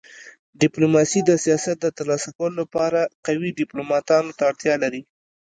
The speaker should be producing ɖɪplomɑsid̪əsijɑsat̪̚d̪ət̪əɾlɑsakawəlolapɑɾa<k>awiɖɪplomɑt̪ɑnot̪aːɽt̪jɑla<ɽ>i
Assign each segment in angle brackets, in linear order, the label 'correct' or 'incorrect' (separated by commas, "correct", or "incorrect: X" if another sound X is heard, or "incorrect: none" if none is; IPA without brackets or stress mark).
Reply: incorrect: q, incorrect: ɾ